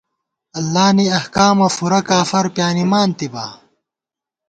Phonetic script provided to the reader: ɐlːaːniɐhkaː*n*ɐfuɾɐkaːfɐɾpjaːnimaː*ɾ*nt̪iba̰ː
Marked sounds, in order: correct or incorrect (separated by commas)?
incorrect, incorrect